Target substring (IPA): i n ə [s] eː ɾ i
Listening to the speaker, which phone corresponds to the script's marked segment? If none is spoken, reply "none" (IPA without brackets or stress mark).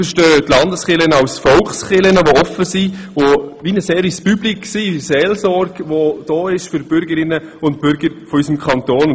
s